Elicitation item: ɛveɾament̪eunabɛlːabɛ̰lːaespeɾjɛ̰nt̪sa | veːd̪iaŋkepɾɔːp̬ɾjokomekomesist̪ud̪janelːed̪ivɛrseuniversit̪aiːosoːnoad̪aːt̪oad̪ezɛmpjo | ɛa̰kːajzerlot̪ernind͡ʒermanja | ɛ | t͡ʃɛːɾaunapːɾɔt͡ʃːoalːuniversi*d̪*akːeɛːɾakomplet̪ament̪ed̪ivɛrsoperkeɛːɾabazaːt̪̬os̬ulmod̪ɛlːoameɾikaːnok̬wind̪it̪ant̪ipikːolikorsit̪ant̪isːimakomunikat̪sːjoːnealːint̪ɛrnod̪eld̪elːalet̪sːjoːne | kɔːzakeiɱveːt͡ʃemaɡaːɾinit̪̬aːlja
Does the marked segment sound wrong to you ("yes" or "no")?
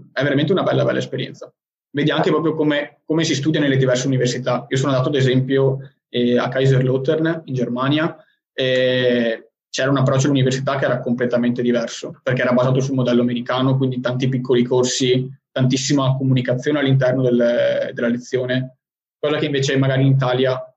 yes